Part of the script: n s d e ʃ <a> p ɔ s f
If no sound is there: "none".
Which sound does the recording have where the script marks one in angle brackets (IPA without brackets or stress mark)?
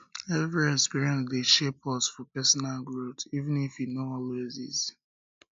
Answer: e